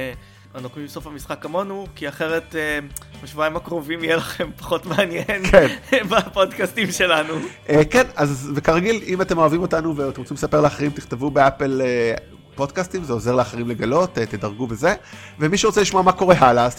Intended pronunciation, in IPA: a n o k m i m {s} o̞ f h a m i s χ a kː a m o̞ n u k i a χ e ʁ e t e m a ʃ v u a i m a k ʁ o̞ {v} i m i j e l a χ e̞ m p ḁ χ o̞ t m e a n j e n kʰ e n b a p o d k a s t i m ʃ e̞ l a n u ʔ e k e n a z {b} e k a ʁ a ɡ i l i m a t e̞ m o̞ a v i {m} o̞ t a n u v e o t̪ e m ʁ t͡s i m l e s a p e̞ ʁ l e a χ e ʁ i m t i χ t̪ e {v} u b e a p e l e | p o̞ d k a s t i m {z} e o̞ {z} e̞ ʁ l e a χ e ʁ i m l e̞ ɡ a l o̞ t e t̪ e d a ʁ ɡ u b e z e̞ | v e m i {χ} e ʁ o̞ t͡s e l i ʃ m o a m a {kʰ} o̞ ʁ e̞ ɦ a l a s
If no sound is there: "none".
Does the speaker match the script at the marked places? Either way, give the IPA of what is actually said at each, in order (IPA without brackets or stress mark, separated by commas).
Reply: s, v, v, m, v, z, z, ʃ, k